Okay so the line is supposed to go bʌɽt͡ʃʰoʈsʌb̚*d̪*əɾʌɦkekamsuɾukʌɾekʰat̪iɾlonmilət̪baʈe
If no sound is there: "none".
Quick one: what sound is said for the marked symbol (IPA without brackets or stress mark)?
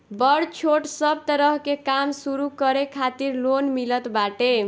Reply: t̪